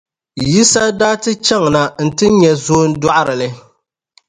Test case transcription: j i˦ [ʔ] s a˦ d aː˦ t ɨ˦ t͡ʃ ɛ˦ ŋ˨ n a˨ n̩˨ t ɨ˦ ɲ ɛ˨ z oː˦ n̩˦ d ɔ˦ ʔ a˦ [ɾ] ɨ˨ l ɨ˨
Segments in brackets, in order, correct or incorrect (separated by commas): incorrect, correct